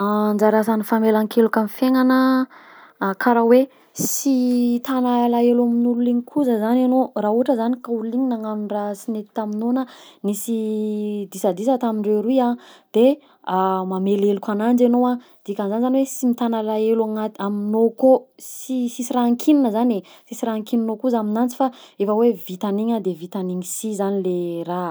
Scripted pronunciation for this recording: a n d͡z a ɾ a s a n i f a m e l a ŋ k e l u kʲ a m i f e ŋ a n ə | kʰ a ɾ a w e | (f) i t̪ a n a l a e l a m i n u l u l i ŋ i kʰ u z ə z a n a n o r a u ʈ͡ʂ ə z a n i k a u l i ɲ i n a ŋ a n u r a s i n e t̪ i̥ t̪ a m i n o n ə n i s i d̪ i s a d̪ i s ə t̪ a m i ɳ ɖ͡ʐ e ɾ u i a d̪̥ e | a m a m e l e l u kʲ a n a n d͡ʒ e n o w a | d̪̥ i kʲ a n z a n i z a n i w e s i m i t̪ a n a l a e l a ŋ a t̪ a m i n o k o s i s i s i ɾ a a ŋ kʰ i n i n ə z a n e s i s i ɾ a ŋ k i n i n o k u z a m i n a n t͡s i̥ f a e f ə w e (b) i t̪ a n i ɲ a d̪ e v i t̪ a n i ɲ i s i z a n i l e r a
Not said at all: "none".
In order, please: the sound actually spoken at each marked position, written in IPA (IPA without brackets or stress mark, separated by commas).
s, v